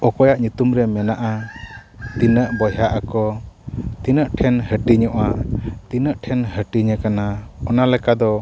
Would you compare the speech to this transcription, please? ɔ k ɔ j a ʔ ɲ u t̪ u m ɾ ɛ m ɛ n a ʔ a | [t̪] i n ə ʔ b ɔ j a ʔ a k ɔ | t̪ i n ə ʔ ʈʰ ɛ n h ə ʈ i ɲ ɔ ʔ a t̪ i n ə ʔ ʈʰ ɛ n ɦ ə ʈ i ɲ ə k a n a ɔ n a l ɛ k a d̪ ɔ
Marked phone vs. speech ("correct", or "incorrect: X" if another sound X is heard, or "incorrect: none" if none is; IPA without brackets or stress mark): correct